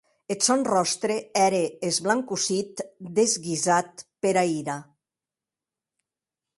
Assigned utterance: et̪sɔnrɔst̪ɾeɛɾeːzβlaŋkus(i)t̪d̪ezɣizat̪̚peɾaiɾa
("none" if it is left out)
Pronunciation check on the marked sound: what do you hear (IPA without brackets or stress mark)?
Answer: i